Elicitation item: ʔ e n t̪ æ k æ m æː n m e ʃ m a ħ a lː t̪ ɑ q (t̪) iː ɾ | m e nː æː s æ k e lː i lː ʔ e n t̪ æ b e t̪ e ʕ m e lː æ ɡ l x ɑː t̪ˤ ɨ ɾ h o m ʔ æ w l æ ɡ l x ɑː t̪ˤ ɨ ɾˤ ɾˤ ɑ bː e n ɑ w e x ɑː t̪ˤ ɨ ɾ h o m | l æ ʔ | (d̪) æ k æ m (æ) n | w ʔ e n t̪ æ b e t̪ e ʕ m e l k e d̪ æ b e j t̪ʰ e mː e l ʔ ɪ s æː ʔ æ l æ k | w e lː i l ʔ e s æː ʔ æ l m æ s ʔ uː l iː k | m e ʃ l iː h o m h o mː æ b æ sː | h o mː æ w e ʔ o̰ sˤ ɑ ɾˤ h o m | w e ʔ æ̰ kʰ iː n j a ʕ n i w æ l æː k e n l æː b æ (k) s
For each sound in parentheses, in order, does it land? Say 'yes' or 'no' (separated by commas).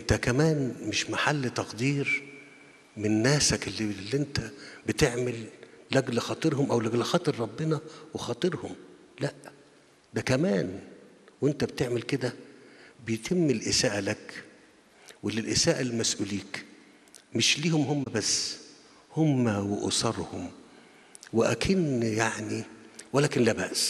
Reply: no, yes, no, no